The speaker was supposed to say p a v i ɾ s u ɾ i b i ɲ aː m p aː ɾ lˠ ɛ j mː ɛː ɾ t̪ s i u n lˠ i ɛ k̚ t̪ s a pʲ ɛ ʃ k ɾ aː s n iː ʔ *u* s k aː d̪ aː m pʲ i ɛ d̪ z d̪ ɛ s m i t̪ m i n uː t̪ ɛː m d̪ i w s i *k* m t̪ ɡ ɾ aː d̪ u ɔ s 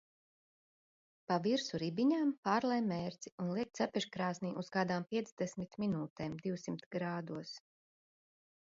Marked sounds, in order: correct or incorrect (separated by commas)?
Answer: correct, incorrect